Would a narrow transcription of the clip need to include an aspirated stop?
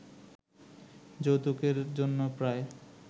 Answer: no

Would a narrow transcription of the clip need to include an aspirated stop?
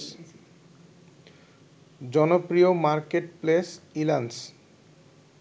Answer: no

